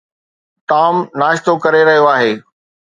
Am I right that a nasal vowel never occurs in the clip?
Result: yes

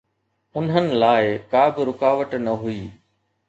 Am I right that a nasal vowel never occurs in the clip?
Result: yes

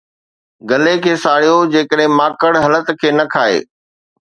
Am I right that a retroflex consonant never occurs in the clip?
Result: no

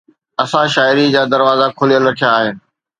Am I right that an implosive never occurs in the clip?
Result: yes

